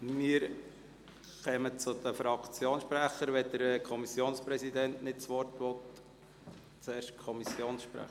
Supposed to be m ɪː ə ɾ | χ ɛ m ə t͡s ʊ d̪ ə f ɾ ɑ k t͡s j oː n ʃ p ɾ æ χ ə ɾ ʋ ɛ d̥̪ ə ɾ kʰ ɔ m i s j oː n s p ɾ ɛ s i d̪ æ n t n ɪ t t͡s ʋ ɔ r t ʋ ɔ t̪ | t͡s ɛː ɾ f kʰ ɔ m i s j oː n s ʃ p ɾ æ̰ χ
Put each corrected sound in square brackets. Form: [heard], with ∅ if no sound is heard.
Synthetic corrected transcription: m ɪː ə ɾ | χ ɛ m ə t͡s ʊ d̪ ə f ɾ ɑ k t͡s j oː n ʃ p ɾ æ χ ə ɾ ʋ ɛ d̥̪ ə ɾ kʰ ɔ m i s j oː n s p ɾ ɛ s i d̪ [ɛ] n t n ɪ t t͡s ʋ ɔ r t ʋ ɔ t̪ | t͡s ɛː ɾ [ʃ] kʰ ɔ m i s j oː n s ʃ p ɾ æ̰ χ